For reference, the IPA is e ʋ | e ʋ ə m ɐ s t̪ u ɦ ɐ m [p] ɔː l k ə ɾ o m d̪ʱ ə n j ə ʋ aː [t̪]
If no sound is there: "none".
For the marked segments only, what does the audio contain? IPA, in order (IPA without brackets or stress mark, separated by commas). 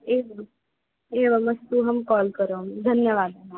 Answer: k, d̪